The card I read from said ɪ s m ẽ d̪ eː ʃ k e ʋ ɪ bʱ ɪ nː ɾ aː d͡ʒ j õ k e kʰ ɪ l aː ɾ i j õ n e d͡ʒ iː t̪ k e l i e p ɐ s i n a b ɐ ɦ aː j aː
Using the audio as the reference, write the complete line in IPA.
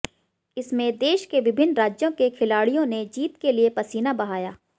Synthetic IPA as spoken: ɪ s m ẽ d̪ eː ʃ k e ʋ ɪ bʱ ɪ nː ɾ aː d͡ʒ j õ k e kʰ ɪ l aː ɽ i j õ n e d͡ʒ iː t̪ k e l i e p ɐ s iː n a b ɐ ɦ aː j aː